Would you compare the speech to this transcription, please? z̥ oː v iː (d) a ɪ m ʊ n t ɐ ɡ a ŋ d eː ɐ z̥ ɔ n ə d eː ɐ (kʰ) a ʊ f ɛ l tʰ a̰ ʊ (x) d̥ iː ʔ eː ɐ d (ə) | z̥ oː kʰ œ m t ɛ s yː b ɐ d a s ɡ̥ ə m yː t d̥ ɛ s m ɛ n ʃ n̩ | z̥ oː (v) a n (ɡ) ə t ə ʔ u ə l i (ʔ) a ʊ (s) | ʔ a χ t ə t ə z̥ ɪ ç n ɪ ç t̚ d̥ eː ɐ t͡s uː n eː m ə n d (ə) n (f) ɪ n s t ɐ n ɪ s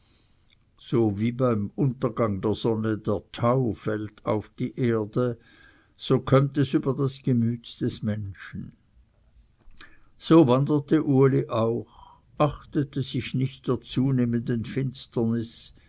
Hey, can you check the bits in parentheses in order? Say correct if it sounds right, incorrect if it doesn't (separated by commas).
incorrect, incorrect, incorrect, correct, correct, incorrect, correct, incorrect, correct, correct